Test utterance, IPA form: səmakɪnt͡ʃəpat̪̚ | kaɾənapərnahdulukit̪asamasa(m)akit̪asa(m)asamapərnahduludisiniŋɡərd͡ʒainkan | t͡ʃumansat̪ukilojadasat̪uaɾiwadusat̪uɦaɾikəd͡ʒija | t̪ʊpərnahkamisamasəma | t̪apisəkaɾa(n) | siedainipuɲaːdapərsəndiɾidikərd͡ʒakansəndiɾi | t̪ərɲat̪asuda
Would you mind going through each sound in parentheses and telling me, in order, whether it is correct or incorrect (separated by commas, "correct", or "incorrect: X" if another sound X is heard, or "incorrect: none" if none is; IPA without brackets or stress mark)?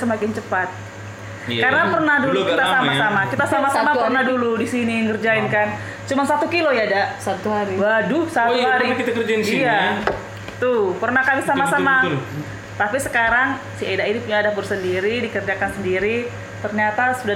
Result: correct, correct, incorrect: ŋ